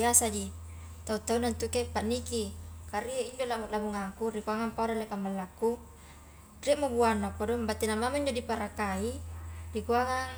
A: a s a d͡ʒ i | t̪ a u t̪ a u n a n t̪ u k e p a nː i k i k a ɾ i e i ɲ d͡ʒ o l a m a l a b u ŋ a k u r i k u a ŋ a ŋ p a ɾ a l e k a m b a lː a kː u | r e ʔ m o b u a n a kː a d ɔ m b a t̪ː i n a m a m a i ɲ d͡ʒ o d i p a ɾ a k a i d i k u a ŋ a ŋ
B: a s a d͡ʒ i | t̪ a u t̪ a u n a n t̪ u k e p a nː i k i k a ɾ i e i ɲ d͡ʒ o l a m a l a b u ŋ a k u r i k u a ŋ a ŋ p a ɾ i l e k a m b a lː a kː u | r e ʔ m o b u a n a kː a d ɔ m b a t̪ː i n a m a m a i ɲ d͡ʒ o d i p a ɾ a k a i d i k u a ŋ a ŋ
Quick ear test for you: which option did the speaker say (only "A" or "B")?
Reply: A